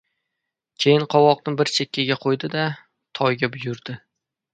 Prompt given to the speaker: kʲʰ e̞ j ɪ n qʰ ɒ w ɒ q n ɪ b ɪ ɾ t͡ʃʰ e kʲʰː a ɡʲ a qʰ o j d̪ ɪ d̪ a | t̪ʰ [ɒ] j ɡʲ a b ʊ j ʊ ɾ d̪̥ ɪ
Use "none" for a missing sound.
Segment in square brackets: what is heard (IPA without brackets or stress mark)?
ɒ